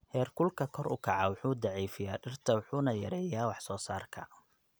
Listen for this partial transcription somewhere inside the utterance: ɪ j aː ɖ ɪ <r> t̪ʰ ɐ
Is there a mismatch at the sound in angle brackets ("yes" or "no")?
no